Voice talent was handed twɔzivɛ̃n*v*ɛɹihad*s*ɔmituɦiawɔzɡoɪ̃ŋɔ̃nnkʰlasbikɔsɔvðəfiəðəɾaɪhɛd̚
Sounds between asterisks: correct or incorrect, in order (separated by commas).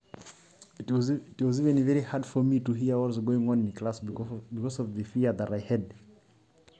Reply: correct, incorrect